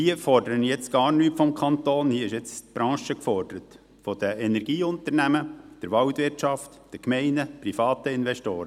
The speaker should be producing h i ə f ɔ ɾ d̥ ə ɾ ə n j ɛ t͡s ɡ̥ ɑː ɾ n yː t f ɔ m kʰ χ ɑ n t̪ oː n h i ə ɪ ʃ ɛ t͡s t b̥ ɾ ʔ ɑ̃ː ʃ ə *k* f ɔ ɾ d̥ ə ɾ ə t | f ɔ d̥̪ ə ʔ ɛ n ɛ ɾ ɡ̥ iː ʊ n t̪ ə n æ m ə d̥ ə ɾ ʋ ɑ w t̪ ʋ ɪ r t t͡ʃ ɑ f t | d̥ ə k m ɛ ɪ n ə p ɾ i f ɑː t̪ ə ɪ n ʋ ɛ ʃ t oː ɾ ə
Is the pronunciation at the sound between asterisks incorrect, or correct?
correct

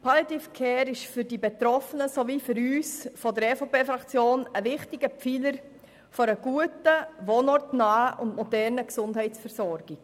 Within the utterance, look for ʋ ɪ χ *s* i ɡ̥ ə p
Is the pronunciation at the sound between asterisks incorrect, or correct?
incorrect: t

